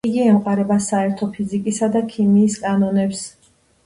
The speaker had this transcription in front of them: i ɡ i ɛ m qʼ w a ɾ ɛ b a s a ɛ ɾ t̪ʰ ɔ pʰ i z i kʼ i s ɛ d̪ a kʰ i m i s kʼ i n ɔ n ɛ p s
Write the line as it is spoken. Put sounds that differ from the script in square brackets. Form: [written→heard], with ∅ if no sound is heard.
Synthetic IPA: i ɡ i ɛ m qʼ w a ɾ ɛ b a s a ɛ ɾ t̪ʰ ɔ pʰ i z i kʼ i s [ɛ→a] d̪ a kʰ i m [i→iː] s kʼ [i→a] n ɔ n ɛ p s

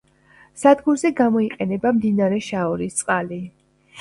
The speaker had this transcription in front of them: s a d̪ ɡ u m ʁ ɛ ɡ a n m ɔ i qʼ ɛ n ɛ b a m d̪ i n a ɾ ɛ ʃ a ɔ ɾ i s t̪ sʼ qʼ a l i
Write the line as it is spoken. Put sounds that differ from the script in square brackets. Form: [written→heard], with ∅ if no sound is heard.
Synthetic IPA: s a d̪ ɡ u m [ʁ→z] ɛ ɡ a [n→∅] m ɔ i qʼ ɛ n ɛ b a m d̪ i n a ɾ ɛ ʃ a ɔ ɾ i s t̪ sʼ qʼ a l i

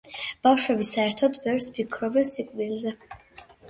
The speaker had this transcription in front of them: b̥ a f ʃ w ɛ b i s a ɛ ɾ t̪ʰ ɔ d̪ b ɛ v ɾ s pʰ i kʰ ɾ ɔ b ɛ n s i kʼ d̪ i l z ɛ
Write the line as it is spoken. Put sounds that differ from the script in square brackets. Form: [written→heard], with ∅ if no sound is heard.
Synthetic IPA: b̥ a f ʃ w ɛ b i s a ɛ ɾ t̪ʰ ɔ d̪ b ɛ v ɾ s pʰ i kʰ ɾ ɔ b ɛ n s i kʼ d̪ i l z ɛ

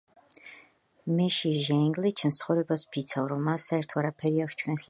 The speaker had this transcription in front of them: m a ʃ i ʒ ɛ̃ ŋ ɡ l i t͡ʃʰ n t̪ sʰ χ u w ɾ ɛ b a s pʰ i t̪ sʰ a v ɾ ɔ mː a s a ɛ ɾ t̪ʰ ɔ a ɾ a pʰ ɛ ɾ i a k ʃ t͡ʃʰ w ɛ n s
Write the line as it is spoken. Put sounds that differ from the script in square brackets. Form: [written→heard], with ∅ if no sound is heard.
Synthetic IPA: m [a→ɛ] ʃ i ʒ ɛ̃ ŋ ɡ l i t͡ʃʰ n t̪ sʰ χ [u→ɔ] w ɾ ɛ b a s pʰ i t̪ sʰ a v ɾ ɔ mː a s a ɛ ɾ t̪ʰ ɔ a ɾ a pʰ ɛ ɾ i a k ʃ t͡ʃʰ w ɛ n s

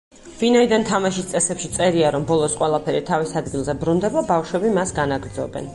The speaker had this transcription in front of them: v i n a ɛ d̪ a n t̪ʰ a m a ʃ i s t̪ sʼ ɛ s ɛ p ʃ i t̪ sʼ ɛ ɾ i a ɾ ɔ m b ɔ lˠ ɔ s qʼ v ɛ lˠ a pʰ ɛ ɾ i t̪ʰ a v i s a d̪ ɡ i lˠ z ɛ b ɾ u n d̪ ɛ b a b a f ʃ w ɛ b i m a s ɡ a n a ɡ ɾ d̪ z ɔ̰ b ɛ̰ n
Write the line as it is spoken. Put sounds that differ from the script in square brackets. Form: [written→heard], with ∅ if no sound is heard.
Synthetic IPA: v i n a [ɛ→i] d̪ a n t̪ʰ a m a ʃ i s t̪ sʼ ɛ s ɛ p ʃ i t̪ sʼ ɛ ɾ i a ɾ ɔ m b ɔ lˠ ɔ s qʼ [v→w] ɛ lˠ a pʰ ɛ ɾ i t̪ʰ a v i s a d̪ ɡ i lˠ z ɛ b ɾ u n d̪ ɛ b a b a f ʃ w ɛ b i m a s ɡ a n a ɡ ɾ d̪ z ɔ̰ b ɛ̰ n

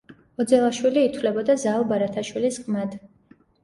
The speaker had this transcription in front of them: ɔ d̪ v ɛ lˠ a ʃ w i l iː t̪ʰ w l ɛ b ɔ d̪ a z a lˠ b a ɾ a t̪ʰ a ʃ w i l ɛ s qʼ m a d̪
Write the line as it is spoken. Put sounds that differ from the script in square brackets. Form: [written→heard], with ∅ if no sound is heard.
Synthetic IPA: ɔ d̪ [v→z] ɛ lˠ a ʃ w i l iː t̪ʰ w l ɛ b ɔ d̪ a z a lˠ b a ɾ a t̪ʰ a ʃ w i l [ɛ→i] s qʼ m a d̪

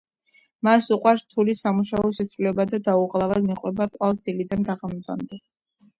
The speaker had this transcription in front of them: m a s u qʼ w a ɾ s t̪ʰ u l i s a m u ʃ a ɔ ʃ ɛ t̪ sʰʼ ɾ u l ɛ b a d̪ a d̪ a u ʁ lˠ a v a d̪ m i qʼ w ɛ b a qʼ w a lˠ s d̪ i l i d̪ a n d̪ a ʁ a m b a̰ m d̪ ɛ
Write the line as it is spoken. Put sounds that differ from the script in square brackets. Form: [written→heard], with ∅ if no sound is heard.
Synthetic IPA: m a s u qʼ w a ɾ s t̪ʰ u l i s a m u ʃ a ɔ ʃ ɛ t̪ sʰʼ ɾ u l ɛ b a d̪ a d̪ a u ʁ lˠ a v a d̪ m i qʼ w ɛ b a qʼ w a lˠ s d̪ i l i d̪ a n d̪ a ʁ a m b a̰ m d̪ ɛ

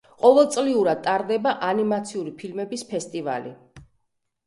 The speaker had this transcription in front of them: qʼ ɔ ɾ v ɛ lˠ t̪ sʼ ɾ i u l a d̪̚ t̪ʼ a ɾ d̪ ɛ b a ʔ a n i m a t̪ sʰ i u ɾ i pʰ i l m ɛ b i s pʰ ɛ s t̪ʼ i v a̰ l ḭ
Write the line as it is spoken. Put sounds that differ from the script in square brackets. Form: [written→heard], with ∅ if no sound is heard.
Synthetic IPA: qʼ ɔ [ɾ→∅] v ɛ lˠ t̪ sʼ [ɾ→l] i u [l→ɾ] a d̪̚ t̪ʼ a ɾ d̪ ɛ b a ʔ a n i m a t̪ sʰ i u ɾ i pʰ i l m ɛ b i s pʰ ɛ s t̪ʼ i v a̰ l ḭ

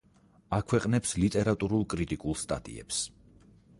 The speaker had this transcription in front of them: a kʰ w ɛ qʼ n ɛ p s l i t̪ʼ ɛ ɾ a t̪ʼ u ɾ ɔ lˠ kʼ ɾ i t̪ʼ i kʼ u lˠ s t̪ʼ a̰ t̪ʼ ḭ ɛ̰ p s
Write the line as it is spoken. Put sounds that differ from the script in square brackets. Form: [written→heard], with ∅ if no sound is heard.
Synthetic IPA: a kʰ w ɛ qʼ n ɛ p s l i t̪ʼ ɛ ɾ a t̪ʼ u ɾ [ɔ→u] lˠ kʼ ɾ i t̪ʼ i kʼ u lˠ s t̪ʼ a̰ t̪ʼ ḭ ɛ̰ p s

